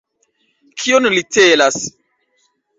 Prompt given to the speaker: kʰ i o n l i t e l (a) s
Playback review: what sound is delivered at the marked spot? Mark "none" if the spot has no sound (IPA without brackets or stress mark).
a